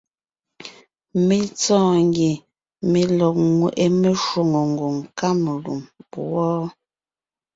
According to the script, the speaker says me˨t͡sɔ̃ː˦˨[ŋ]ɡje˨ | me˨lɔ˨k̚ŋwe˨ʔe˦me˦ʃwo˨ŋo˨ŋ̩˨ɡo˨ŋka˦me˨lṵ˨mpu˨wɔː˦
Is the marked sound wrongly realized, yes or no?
no